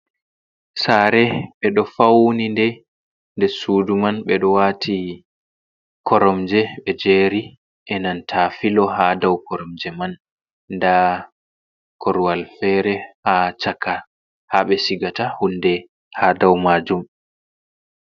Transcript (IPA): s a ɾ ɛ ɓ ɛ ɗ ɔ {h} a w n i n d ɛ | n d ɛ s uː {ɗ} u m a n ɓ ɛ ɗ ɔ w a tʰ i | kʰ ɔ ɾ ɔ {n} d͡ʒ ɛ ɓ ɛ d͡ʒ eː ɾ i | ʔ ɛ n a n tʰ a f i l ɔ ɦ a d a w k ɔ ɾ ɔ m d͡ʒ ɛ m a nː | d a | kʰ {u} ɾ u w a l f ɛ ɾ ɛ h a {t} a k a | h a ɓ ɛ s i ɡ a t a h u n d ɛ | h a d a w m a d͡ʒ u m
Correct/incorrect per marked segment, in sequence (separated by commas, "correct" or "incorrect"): incorrect, incorrect, incorrect, incorrect, incorrect